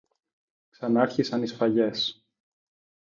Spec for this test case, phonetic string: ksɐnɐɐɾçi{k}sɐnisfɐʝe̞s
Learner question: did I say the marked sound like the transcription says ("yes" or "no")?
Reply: no